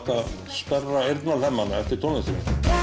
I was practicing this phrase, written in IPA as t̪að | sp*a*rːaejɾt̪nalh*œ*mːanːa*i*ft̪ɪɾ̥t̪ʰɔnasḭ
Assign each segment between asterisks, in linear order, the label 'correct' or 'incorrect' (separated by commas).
incorrect, incorrect, incorrect